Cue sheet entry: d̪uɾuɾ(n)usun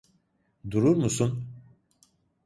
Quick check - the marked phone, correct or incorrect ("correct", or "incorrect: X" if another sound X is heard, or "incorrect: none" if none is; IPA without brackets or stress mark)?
incorrect: m